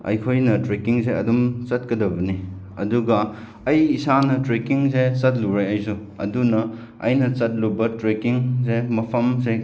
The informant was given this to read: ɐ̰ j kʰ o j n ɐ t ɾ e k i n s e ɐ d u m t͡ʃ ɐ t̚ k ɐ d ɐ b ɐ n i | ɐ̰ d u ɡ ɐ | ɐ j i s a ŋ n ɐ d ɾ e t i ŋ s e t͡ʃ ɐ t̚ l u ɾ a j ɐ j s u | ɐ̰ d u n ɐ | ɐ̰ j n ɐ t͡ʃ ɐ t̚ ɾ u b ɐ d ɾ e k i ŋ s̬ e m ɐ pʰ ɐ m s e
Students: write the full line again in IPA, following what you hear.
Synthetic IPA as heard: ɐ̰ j kʰ o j n ɐ t ɾ e k i ŋ s e ɐ d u m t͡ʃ ɐ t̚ k ɐ d ɐ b ɐ n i | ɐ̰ d u ɡ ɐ | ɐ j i s a n ɐ t ɾ e k i ŋ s e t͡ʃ ɐ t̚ l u ɾ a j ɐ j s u | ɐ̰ d u n ɐ | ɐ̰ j n ɐ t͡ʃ ɐ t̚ l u b ɐ t ɾ e k i ŋ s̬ e m ɐ pʰ ɐ m s e